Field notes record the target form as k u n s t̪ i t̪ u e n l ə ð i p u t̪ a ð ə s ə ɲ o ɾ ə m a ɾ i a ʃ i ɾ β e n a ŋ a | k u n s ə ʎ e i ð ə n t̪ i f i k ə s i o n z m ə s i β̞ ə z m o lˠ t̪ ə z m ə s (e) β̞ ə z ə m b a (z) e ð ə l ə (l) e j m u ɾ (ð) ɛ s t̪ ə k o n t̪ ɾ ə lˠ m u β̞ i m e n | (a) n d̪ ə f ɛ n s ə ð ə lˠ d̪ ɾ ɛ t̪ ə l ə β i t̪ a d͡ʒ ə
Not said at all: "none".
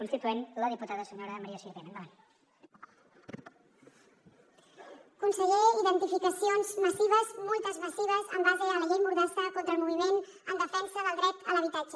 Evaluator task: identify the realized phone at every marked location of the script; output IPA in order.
i, z, ʎ, ð, ə

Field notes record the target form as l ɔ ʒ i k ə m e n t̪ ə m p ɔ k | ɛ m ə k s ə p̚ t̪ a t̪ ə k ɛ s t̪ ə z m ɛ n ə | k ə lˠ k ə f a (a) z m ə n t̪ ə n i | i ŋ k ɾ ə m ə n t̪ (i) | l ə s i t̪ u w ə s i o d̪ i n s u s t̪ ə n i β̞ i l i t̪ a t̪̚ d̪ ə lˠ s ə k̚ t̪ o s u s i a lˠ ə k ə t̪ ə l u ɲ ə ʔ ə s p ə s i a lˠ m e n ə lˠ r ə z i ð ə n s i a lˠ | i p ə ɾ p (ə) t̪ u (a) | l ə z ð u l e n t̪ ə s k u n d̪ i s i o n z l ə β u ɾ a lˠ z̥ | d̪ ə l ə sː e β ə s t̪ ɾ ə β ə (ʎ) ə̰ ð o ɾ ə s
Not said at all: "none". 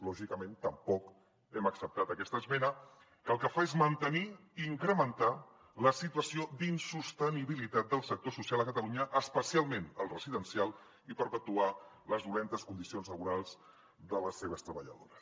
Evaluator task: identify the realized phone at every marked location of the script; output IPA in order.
e, a, ə, a, ʎ

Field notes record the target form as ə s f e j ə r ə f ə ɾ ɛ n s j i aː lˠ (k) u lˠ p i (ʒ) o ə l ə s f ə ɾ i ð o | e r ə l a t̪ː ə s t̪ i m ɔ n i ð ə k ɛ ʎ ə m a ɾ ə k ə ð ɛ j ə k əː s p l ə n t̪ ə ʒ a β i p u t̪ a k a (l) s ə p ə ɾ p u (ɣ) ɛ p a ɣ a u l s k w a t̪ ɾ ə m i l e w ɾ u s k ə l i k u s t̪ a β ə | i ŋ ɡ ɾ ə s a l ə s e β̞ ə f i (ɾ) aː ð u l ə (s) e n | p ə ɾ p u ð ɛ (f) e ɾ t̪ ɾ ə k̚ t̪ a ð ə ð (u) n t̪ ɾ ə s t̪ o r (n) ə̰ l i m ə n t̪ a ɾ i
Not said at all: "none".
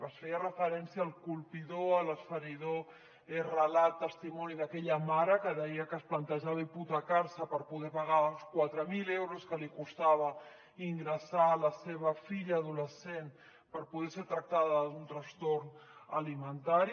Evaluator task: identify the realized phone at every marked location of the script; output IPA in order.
k, ð, ɾ, ð, ʎ, s, s, u, n

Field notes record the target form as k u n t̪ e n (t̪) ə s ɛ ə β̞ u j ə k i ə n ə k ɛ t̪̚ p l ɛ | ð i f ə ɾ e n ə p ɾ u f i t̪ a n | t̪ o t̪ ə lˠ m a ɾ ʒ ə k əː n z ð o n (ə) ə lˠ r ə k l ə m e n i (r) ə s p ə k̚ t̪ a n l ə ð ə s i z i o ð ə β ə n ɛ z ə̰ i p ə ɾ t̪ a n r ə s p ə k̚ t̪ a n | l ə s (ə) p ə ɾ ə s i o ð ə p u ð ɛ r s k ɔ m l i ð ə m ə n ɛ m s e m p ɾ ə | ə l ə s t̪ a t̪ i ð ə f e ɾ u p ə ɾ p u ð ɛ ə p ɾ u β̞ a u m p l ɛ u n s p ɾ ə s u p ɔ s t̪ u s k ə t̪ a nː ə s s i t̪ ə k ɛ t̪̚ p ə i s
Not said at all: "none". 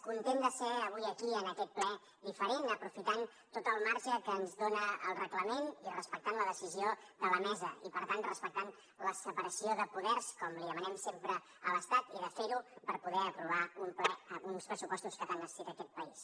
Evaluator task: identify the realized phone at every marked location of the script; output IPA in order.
d̪, ə, r, ə

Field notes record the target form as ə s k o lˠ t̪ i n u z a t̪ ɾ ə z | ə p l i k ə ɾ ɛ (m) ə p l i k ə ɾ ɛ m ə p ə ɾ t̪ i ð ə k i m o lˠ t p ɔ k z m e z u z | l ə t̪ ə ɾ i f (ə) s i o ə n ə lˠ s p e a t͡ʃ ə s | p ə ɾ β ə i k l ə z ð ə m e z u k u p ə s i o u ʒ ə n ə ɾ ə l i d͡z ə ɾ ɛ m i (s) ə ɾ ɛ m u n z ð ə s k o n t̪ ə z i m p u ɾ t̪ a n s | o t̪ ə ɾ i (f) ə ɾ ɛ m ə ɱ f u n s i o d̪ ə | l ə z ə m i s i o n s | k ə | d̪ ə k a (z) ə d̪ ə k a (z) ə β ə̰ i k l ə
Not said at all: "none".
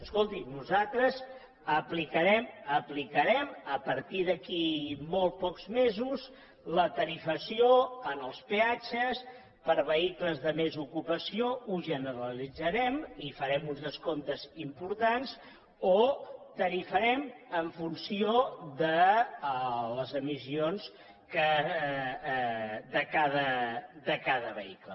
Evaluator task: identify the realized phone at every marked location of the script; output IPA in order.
m, ə, f, f, ð, ð

